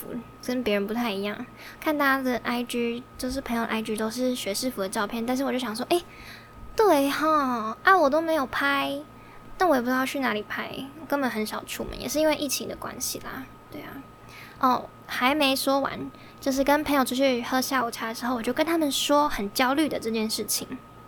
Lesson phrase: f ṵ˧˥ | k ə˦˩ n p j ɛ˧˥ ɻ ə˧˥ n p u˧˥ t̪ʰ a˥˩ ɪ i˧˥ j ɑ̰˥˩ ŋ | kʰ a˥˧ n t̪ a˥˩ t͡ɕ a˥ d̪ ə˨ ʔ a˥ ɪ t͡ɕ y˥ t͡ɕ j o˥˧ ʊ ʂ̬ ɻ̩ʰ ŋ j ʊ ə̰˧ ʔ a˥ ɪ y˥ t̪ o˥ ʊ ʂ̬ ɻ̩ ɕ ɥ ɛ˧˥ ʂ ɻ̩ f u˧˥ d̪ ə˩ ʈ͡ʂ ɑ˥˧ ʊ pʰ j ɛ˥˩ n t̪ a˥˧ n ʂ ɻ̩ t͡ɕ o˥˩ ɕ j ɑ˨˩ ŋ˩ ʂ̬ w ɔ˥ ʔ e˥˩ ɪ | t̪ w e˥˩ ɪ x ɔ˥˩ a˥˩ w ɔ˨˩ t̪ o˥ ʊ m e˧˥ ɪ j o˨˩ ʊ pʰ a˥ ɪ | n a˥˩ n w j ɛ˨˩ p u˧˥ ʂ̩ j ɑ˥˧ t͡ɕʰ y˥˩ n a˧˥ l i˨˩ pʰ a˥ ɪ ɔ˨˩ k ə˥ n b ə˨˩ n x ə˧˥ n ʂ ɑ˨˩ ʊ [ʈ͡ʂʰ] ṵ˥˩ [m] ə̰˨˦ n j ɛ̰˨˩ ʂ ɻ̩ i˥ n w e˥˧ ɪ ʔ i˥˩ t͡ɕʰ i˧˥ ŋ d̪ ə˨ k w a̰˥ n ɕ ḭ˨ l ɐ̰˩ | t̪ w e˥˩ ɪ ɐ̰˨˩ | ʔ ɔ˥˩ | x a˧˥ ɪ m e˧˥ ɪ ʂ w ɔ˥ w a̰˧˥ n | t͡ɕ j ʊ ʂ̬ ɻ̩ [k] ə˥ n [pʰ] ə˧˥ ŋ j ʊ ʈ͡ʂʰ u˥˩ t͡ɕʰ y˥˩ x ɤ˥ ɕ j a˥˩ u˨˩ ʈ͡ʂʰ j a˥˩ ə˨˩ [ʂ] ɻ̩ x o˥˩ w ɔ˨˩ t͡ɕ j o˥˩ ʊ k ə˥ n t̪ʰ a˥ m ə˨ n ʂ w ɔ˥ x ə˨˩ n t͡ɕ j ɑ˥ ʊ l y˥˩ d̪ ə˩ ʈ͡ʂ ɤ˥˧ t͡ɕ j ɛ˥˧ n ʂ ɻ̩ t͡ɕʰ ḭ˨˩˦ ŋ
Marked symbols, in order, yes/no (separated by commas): yes, yes, yes, yes, yes